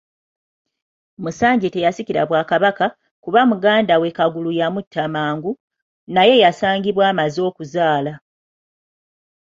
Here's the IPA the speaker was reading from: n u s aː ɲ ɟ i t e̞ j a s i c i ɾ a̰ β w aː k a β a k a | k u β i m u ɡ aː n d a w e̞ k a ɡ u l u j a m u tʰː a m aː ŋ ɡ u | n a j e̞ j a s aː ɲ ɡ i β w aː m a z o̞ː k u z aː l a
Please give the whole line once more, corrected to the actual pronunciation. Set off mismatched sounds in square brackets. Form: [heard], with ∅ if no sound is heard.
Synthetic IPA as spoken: [m] u s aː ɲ ɟ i t e̞ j a s i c i ɾ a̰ β w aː k a β a k a | k u β [a] m u ɡ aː n d a w e̞ k a ɡ u l u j a m u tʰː a m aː ŋ ɡ u | n a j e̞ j a s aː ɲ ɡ i β w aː m a z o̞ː k u z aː l a